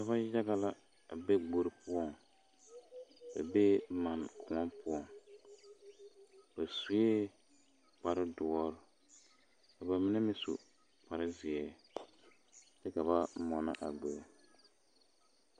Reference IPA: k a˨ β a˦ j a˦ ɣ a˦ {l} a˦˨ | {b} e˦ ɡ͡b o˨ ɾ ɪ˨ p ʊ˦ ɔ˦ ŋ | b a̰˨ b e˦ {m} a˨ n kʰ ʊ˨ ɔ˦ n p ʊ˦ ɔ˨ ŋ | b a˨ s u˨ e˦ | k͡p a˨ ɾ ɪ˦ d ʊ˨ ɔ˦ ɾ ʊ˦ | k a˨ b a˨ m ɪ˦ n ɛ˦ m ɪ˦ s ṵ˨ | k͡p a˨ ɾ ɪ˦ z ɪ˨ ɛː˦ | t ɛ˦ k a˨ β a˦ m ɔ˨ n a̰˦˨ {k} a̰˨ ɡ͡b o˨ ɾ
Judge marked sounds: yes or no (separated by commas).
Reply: yes, yes, yes, no